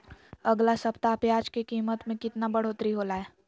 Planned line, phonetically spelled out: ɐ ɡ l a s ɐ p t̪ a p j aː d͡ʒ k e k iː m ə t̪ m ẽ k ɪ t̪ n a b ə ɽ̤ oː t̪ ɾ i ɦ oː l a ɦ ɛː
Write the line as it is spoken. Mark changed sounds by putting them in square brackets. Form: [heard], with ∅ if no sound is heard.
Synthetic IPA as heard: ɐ ɡ l a s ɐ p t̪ a p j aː d͡ʒ k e k iː m ə t̪ m ẽ k ɪ t̪ n a b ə ɽ̤ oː t̪ ɾ i ɦ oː l a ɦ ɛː